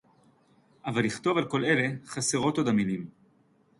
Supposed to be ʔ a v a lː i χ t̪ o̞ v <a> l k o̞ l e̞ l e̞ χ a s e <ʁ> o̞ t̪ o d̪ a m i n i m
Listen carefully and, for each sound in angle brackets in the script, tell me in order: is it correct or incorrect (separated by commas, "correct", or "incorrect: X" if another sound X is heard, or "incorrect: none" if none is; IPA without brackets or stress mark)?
correct, correct